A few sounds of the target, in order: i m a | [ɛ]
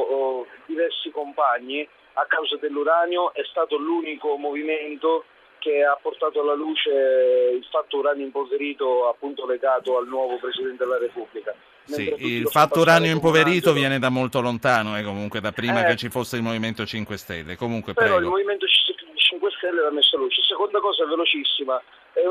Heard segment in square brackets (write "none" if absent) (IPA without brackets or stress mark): ɛ